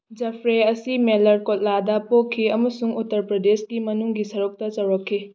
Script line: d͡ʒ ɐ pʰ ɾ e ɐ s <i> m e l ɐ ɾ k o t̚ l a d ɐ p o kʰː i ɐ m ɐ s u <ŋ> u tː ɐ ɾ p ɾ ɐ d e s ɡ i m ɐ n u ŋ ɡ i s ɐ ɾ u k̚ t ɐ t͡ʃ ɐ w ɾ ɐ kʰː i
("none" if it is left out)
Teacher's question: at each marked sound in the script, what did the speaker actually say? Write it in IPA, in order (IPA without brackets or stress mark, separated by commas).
i, ŋ